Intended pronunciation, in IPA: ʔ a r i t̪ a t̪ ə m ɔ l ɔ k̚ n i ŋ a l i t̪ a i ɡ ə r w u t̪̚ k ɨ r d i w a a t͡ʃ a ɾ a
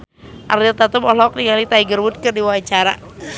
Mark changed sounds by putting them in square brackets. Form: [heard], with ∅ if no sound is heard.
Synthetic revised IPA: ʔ a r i t̪ a t̪ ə m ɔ l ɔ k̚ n i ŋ a l i t̪ a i ɡ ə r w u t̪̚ k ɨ r d i w a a t͡ʃ a ɾ a